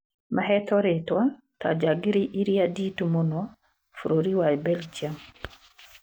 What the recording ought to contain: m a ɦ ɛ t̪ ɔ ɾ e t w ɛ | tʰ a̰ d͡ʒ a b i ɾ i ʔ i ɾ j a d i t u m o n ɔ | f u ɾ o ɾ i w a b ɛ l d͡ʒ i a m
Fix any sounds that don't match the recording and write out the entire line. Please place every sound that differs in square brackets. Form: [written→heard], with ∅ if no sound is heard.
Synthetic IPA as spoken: m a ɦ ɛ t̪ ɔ ɾ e t w [ɛ→a] | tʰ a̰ d͡ʒ a [b→ɡ] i ɾ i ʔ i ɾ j a d i t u m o n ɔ | f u ɾ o ɾ i w a b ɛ l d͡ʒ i a m